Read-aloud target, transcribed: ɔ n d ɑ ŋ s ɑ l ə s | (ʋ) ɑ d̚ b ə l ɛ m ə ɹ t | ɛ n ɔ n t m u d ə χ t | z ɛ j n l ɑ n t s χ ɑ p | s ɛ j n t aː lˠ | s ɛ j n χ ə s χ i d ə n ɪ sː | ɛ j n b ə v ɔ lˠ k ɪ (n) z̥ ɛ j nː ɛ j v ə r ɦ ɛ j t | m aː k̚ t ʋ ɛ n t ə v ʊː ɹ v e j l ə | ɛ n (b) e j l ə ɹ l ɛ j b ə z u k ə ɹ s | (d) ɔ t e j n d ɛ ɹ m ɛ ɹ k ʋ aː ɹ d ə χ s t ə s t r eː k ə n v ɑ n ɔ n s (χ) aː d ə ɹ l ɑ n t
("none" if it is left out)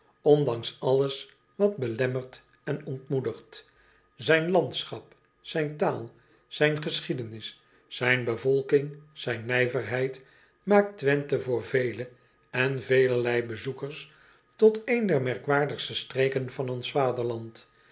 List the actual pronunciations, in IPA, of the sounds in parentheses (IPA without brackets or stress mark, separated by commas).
ʋ, ŋ, v, t, f